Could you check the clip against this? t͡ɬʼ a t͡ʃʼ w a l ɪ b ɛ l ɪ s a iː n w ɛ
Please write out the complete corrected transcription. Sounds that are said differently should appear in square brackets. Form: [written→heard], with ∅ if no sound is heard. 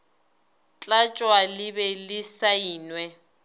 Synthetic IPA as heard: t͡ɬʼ a t͡ʃʼ w a l ɪ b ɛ l ɪ s a iː n w ɛ